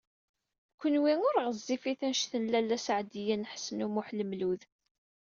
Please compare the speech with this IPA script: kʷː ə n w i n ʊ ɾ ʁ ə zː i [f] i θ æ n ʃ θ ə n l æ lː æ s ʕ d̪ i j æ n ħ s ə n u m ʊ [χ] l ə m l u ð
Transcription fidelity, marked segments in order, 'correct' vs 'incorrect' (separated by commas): correct, incorrect